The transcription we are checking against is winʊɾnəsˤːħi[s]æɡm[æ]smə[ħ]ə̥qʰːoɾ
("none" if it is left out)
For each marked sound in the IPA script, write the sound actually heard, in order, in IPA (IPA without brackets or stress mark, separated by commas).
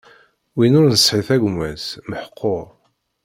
θ, æ, ħ